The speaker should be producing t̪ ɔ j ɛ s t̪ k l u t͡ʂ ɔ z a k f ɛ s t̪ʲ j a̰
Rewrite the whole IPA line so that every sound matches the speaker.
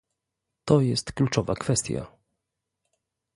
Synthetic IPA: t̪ ɔ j ɛ s t̪ k l u t͡ʂ ɔ v a k f ɛ s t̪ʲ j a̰

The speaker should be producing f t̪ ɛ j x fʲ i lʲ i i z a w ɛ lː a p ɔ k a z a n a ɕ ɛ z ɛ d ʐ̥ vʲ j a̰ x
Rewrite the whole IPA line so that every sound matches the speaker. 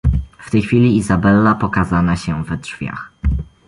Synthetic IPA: f t̪ ɛ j x fʲ i lʲ i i z a b ɛ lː a p ɔ k a z a n a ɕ ɛ v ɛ d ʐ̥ vʲ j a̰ x

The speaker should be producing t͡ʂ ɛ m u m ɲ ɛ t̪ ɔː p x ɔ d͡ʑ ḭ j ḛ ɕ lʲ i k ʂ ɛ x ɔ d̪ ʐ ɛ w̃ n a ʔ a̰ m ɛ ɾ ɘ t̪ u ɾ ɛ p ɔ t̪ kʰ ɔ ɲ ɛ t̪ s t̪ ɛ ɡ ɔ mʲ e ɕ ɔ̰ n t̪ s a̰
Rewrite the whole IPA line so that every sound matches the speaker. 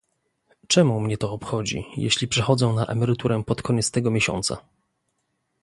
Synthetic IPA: t͡ʂ ɛ m u m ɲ ɛ t̪ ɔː p x ɔ d͡ʑ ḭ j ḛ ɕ lʲ i p ʂ ɛ x ɔ d̪ z ɛ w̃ n a ʔ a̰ m ɛ ɾ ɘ t̪ u ɾ ɛ p ɔ t̪ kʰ ɔ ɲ ɛ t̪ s t̪ ɛ ɡ ɔ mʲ e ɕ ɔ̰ n t̪ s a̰

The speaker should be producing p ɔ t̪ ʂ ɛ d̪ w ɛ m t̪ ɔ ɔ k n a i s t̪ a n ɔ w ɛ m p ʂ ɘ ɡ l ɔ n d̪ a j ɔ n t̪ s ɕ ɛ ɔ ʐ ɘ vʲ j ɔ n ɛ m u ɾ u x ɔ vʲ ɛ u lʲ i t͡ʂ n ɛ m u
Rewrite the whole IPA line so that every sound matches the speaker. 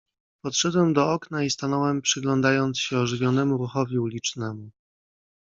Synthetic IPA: p ɔ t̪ ʂ ɛ d̪ w ɛ m d̪ ɔ ɔ k n a i s t̪ a n ɔ w ɛ m p ʂ ɘ ɡ l ɔ n d̪ a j ɔ n t̪ s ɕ ɛ ɔ ʐ ɘ vʲ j ɔ n ɛ m u ɾ u x ɔ vʲ i u lʲ i t͡ʂ n ɛ m u

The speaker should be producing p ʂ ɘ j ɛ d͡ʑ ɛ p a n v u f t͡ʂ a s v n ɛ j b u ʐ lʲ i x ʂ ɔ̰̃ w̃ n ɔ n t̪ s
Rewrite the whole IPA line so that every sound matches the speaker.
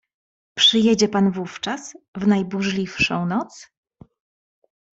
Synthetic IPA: p ʂ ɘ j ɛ d͡ʑ ɛ p a n v u f t͡ʂ a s v n a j b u ʐ lʲ i f ʂ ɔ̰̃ w̃ n ɔ t̪ s

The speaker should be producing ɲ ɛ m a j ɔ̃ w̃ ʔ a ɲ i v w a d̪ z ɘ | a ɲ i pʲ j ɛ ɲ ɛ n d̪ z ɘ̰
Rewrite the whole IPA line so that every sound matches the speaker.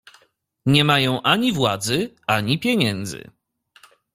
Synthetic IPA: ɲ ɛ m a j ɔ̃ w̃ ʔ a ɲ i v w a d̪ z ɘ | a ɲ i pʲ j ɛ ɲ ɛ n d̪ z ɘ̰

